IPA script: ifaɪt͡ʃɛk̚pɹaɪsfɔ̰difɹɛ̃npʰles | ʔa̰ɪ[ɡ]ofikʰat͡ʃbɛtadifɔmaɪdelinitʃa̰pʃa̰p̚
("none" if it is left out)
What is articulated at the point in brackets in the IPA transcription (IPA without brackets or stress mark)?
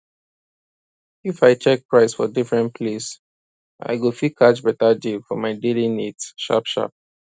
ɡ